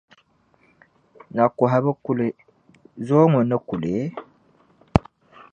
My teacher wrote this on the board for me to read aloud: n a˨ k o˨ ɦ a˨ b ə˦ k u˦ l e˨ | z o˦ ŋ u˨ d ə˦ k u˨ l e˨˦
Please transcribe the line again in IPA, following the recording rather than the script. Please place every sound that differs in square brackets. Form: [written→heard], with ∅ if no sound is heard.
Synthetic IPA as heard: n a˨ k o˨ ɦ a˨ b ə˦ k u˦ l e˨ | z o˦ ŋ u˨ [d→n] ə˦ k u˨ l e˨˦

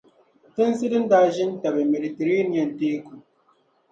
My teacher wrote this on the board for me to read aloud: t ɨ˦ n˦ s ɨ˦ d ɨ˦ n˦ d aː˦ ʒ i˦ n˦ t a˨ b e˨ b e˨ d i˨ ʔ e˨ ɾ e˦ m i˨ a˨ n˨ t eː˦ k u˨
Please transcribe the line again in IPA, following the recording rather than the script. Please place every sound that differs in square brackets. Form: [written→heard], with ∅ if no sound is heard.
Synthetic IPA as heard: t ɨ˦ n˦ s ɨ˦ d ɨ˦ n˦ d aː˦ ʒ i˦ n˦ t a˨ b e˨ [b→m] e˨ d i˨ [ʔ→t] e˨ ɾ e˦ [m→n] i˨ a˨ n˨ t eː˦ k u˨

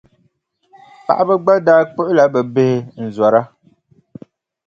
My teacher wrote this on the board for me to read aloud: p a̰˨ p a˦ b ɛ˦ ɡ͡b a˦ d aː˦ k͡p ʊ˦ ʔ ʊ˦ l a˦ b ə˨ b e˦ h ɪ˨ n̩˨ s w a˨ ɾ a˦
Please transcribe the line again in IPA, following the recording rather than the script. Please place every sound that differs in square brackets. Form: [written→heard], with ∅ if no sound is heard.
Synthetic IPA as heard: p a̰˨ [p→ʔ] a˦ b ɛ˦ ɡ͡b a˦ d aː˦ k͡p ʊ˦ ʔ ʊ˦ l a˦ b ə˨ b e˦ h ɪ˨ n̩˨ [s→z] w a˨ ɾ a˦

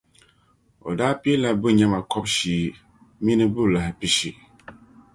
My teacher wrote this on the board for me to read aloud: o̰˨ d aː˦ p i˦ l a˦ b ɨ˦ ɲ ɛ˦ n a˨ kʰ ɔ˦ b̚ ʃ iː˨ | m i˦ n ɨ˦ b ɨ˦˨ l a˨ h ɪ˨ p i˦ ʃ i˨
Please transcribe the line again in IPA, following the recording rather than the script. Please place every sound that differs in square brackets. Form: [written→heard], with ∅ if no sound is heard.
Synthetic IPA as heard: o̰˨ d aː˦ p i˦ l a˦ b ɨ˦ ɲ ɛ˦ [n→m] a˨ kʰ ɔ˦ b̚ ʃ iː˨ | m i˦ n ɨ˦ b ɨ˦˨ l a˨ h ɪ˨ p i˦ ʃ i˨

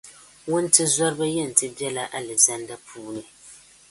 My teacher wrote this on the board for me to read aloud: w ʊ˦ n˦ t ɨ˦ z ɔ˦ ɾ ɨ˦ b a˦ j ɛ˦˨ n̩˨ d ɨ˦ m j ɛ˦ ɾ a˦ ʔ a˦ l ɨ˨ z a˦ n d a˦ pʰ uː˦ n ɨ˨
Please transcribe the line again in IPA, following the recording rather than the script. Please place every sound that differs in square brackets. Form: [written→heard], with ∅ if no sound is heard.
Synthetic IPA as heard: w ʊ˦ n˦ t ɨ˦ z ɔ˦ ɾ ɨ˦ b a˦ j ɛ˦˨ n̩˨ [d→t] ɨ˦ [m→b] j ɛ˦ [ɾ→l] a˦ ʔ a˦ l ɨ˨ z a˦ n d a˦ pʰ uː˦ n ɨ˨

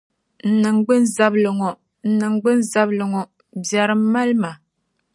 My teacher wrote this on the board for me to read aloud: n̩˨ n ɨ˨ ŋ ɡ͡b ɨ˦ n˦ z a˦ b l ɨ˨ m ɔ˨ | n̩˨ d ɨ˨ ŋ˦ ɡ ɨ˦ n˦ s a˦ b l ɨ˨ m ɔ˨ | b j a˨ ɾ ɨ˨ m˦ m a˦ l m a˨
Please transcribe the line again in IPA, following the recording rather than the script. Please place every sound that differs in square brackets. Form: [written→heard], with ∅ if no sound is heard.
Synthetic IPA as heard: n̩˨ n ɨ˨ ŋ ɡ͡b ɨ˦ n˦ z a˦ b l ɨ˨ [m→ŋ] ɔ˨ | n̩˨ [d→n] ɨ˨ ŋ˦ [ɡ→ɡ͡b] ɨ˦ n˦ [s→z] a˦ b l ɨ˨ [m→ŋ] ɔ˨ | b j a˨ ɾ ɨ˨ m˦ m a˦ l m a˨

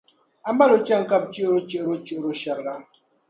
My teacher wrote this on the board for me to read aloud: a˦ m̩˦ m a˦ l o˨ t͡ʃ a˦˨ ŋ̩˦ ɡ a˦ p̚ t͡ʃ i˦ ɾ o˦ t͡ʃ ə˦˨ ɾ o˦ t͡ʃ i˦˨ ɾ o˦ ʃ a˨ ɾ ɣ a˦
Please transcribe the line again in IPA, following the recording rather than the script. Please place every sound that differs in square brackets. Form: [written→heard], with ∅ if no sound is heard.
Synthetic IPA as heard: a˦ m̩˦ [m→b] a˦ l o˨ t͡ʃ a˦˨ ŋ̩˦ [ɡ→k] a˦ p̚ t͡ʃ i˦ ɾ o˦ t͡ʃ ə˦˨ ɾ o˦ t͡ʃ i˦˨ ɾ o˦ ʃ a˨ ɾ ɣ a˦

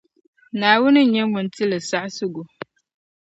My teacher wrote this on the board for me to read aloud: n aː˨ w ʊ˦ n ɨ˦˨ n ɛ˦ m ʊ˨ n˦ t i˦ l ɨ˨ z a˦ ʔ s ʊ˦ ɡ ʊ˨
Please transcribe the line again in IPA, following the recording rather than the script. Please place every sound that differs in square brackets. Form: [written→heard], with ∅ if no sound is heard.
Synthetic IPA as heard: n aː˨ w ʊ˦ n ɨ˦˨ [n→ɲ] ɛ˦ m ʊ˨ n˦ t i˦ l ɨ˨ [z→s] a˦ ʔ s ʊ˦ ɡ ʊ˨

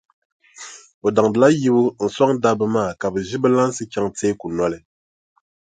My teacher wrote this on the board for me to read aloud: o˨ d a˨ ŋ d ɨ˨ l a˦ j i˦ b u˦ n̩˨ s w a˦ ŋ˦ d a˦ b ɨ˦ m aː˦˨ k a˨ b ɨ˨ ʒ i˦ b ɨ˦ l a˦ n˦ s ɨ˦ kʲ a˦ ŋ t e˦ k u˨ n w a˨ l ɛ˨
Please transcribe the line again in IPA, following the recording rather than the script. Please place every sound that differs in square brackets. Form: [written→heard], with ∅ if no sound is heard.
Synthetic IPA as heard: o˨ d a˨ ŋ d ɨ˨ l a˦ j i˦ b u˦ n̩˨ s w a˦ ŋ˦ d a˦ b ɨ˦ m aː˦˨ k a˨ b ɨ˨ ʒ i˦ b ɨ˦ l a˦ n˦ s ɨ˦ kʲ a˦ ŋ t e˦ k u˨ n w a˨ l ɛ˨

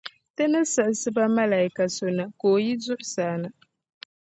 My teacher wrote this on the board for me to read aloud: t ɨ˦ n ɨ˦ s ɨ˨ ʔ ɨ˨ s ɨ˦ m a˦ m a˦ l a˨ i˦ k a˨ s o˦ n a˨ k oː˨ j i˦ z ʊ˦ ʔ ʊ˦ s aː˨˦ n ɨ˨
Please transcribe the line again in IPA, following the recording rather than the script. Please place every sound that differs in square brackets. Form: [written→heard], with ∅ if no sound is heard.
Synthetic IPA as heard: t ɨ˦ n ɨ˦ s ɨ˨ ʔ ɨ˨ s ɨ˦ [m→b] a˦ m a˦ l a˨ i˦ k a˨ s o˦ n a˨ k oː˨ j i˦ z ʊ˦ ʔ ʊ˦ s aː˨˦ n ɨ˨

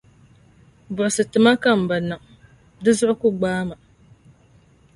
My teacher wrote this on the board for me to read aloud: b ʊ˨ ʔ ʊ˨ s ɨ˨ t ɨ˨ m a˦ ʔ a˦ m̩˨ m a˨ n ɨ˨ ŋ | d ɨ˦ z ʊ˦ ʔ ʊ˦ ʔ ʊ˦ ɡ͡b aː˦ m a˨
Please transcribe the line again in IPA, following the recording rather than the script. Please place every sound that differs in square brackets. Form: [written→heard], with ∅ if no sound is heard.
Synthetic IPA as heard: b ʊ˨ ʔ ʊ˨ s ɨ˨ t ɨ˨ m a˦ [ʔ→k] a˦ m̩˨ [m→b] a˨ n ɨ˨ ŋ | d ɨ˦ z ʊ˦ ʔ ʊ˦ [ʔ→k] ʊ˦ ɡ͡b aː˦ m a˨

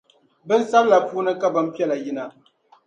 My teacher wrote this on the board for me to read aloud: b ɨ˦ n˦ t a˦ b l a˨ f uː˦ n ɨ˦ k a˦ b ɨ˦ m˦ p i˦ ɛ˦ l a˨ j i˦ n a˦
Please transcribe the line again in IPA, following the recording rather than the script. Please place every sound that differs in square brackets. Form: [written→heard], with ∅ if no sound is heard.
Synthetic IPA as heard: b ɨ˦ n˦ [t→s] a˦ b l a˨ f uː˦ n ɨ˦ k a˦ b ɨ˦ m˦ p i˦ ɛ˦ l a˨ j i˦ n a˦

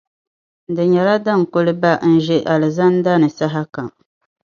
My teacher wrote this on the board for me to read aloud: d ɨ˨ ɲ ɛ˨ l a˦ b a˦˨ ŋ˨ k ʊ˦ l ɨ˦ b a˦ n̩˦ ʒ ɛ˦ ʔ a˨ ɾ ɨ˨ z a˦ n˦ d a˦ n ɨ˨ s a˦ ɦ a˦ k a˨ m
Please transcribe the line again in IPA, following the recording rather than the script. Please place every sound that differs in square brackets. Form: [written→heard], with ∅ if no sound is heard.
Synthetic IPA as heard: d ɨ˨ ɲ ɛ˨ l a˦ [b→d] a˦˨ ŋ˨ k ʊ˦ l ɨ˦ b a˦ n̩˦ ʒ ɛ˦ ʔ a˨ [ɾ→l] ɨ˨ z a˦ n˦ d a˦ n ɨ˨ s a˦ ɦ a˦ k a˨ m

